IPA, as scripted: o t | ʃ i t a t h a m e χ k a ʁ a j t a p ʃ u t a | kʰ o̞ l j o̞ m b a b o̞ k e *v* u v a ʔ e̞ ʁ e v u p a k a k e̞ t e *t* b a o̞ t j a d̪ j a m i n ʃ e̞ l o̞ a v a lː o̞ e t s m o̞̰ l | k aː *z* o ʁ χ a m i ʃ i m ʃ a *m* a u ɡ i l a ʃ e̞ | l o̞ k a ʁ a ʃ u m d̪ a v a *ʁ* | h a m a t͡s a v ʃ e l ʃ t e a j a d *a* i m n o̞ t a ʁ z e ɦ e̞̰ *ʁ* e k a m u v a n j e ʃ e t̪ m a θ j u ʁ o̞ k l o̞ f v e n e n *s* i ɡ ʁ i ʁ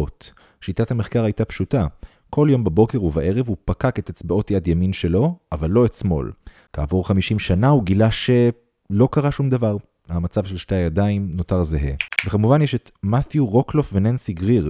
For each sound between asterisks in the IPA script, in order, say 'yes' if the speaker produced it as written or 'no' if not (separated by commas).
no, no, no, no, yes, yes, no, yes